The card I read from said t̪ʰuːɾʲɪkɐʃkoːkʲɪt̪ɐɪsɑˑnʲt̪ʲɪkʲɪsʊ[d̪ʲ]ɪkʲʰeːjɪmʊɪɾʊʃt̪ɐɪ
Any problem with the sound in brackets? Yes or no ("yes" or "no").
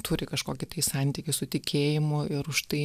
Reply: yes